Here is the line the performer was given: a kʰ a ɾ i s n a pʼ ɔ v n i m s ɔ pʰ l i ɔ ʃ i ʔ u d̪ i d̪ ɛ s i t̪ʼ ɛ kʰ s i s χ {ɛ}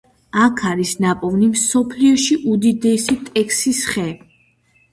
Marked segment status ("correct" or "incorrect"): correct